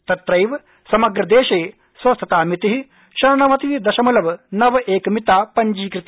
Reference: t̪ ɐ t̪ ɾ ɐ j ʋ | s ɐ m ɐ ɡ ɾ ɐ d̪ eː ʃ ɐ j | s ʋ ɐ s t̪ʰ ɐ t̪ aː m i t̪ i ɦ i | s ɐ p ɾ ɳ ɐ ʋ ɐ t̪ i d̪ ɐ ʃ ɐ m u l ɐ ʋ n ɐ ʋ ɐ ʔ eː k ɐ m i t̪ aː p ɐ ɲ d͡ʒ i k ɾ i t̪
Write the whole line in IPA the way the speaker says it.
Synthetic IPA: t̪ ɐ t̪ ɾ ɐ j ʋ | s ɐ m ɐ ɡ ɾ ɐ d̪ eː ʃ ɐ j | s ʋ ɐ s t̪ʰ ɐ t̪ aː m i t̪ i ɦ i | ʃ ɐ ɾ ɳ ɐ ʋ ɐ t̪ i d̪ ɐ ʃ ɐ m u l ɐ ʋ n ɐ ʋ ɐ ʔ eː k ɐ m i t̪ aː p ɐ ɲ d͡ʒ iː k ɾ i t̪